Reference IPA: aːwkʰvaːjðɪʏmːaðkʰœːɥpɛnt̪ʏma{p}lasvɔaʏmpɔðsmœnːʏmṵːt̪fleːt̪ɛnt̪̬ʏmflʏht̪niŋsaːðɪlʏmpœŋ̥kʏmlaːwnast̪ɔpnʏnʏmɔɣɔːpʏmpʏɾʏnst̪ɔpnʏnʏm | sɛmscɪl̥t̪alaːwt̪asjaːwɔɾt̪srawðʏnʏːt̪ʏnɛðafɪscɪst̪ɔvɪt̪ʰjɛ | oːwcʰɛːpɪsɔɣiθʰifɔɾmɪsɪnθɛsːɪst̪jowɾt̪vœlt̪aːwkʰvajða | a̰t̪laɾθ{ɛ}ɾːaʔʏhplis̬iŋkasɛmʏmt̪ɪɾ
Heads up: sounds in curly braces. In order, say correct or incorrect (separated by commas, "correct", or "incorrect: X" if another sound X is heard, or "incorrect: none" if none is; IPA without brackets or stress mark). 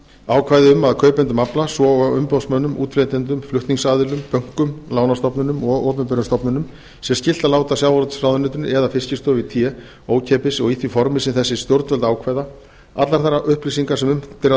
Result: correct, incorrect: a